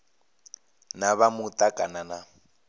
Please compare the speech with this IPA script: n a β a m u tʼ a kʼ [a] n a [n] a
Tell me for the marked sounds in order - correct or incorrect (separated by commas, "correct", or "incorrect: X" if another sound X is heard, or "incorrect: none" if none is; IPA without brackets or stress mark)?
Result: correct, correct